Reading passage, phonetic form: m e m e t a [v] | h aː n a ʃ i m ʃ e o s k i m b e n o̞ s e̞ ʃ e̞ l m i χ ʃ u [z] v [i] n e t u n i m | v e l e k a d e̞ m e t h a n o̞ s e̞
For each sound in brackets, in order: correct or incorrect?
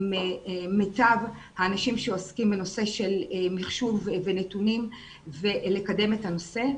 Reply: correct, incorrect, incorrect

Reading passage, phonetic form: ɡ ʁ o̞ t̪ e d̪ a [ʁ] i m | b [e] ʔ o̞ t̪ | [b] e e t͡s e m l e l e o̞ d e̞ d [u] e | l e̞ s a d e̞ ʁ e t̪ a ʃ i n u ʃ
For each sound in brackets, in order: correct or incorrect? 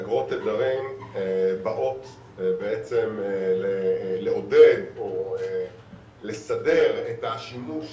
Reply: correct, incorrect, correct, incorrect

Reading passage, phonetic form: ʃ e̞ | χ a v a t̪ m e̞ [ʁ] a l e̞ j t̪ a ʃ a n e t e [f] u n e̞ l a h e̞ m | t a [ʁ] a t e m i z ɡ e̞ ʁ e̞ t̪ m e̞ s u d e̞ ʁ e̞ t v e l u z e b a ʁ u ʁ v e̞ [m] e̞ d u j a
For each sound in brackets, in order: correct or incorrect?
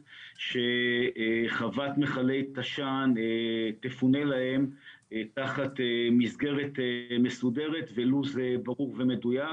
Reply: incorrect, correct, incorrect, correct

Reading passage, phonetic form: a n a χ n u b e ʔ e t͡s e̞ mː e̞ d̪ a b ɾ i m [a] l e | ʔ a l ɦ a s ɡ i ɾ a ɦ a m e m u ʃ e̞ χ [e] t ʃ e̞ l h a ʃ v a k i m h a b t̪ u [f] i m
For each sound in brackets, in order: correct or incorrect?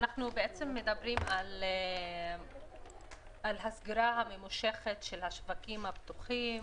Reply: correct, correct, incorrect

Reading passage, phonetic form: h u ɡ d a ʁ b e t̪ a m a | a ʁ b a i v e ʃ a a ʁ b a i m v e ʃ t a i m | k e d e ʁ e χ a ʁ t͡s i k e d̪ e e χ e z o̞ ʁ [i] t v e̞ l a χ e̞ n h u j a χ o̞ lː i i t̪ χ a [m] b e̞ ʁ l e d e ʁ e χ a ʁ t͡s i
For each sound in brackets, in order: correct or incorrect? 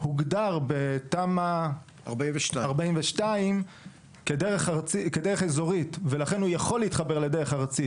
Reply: correct, incorrect

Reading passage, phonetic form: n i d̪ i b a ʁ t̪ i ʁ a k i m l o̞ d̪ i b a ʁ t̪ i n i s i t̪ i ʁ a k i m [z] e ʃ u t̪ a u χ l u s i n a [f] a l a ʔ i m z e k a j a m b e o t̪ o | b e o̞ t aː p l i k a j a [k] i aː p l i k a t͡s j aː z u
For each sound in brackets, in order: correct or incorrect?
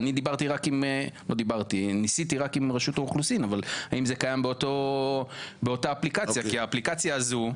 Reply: incorrect, incorrect, correct

